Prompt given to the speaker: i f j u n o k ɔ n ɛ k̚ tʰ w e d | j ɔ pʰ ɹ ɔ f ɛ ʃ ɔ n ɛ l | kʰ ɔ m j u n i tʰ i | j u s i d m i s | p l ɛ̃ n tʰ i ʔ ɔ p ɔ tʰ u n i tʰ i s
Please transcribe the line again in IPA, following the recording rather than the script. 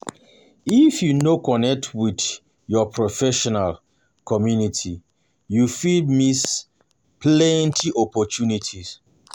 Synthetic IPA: i f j u n o k ɔ n ɛ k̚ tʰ w i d | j ɔ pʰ ɹ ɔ f ɛ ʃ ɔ n a l | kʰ ɔ m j u n i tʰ i | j u f i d m i s | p l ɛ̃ n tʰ i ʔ ɔ p ɔ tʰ u n i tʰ i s